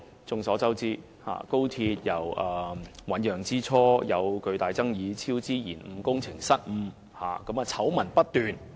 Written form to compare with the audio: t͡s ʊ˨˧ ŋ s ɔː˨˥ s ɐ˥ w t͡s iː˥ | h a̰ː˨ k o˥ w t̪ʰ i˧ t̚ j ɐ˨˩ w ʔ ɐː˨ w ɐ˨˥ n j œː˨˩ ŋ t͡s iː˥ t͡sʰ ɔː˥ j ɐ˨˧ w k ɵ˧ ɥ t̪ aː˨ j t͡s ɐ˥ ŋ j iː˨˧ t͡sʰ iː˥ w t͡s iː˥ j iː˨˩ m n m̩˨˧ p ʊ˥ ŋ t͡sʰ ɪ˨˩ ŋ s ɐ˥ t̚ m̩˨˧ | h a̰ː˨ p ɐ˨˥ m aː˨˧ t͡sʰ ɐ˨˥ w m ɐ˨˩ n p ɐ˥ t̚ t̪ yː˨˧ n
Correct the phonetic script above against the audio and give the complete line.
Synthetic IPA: t͡s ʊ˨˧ ŋ s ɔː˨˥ t͡s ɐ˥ w t͡s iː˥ | h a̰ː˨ k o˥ w t̪ʰ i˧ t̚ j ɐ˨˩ w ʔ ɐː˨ w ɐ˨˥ n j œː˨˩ ŋ t͡s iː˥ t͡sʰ ɔː˥ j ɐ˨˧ w k ɵ˧ ɥ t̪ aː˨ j t͡s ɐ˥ ŋ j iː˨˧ t͡sʰ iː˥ w t͡s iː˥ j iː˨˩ n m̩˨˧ k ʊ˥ ŋ t͡sʰ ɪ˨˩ ŋ s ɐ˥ t̚ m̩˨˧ | h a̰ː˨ k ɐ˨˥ m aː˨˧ t͡sʰ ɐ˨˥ w m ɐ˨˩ n p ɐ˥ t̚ t̪ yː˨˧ n

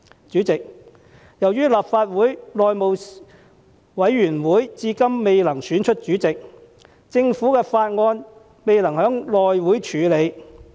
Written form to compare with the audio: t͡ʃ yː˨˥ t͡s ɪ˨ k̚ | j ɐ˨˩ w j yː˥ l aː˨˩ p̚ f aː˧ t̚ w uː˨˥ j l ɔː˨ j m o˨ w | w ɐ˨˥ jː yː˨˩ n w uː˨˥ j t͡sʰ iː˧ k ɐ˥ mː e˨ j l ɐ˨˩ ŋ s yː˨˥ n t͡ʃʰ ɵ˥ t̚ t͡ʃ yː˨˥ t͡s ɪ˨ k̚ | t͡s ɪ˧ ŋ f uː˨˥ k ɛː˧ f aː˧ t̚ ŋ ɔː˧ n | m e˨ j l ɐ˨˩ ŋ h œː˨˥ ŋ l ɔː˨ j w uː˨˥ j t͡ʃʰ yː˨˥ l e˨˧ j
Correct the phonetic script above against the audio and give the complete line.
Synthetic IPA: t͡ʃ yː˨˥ t͡s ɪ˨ k̚ | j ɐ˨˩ w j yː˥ l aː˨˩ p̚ f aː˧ t̚ w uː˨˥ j l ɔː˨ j m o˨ w | w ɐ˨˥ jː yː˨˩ n w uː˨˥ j t͡s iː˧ k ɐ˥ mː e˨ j l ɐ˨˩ ŋ s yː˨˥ n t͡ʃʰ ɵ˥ t̚ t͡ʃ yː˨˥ t͡s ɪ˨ k̚ | t͡s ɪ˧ ŋ f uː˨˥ k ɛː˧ f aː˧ t̚ ŋ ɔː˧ n | m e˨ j l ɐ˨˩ ŋ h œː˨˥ ŋ l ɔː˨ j w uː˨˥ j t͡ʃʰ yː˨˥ l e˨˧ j

